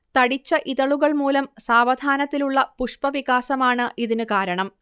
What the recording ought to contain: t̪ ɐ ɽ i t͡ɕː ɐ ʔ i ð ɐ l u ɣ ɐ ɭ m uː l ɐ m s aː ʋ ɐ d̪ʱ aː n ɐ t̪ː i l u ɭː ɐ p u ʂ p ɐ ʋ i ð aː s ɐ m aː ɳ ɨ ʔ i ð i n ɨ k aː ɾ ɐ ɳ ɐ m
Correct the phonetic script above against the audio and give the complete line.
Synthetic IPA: t̪ ɐ ɽ i t͡ɕː ɐ ʔ i ð ɐ ɭ u ɣ ɐ ɭ m uː l ɐ m s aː ʋ ɐ d̪ʱ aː n ɐ t̪ː i l u ɭː ɐ p u ʂ p ɐ ʋ i ɣ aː s ɐ m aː ɳ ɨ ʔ i ð i n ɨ k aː ɾ ɐ ɳ ɐ m